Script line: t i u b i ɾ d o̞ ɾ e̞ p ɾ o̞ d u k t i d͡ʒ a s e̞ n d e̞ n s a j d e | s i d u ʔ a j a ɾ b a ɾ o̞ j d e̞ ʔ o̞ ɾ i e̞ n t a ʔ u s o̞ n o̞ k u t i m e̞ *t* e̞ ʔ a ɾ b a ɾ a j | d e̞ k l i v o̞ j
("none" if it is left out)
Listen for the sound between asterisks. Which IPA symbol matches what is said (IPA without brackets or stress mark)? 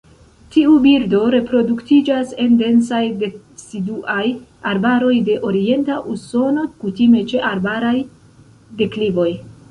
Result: t͡ʃ